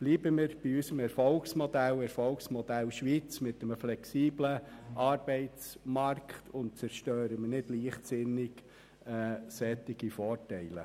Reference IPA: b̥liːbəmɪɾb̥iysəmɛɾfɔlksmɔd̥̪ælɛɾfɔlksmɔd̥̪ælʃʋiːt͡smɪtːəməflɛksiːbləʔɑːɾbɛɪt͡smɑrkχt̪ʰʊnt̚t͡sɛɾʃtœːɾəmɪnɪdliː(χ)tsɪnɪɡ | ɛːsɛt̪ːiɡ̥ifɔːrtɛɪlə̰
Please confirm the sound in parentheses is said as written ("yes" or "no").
yes